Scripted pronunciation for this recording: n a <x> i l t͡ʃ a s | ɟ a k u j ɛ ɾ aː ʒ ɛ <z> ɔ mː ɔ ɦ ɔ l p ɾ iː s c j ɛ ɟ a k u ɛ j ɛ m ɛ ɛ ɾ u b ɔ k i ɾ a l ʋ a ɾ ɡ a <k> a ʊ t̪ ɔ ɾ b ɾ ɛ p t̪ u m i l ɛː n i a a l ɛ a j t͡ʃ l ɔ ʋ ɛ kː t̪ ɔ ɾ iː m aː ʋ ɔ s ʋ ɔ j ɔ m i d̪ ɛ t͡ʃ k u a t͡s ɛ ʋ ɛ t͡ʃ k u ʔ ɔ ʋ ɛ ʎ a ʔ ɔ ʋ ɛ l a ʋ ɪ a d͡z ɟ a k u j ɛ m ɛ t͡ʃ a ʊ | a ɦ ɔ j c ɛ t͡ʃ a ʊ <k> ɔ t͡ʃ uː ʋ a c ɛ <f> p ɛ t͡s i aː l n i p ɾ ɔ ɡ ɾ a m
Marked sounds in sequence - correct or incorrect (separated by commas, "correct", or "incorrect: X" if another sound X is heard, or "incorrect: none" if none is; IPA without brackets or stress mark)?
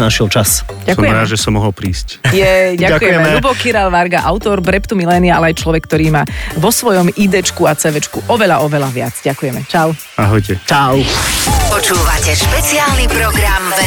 incorrect: ʃ, incorrect: s, incorrect: ʔ, incorrect: p, incorrect: ʃ